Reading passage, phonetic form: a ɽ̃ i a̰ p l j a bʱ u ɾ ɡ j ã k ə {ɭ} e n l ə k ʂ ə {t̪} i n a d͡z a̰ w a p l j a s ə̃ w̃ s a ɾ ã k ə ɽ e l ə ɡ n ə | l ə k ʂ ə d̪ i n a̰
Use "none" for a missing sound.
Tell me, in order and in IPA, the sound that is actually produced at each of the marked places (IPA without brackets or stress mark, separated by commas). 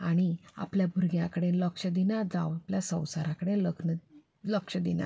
ɽ, d̪